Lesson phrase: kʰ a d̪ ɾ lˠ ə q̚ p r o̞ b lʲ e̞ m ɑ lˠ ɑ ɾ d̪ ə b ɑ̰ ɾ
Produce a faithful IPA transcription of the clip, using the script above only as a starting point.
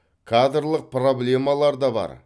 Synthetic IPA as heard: kʰ a d̪ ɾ lˠ ə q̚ p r o̞ b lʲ e̞ m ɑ lˠ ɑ ɾ d̪ ɑ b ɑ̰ ɾ